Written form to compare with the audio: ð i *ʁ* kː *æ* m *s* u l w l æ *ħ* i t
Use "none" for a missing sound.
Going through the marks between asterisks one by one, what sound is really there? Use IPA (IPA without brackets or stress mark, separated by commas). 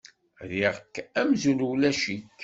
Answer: ʁ, æ, z, ʃ